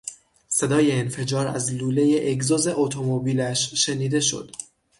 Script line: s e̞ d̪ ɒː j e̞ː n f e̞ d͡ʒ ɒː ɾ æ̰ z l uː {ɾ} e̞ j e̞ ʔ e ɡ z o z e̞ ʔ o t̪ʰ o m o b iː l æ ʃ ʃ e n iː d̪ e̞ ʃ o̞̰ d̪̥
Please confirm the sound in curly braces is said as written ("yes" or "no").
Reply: no